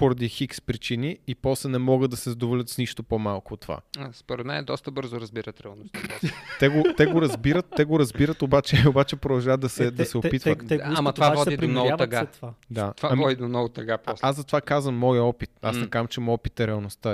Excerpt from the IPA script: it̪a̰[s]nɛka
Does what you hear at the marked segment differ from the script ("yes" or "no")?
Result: no